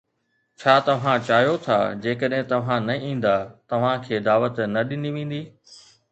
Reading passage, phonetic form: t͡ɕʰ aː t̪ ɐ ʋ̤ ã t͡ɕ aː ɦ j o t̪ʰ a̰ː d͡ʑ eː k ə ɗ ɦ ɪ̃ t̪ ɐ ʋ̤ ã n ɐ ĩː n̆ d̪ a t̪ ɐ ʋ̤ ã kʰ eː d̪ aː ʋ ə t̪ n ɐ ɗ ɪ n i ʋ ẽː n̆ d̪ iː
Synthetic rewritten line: t͡ɕʰ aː t̪ ɐ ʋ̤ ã t͡ɕ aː ɦ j o t̪ʰ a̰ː d͡ʑ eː k ə ɗ ɦ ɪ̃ t̪ ɐ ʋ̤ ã n ɐ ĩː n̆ d̪ a t̪ ɐ ʋ̤ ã kʰ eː d̪ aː ʋ ə t̪ n ɐ ɗ ɪ n i ʋ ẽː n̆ d̪ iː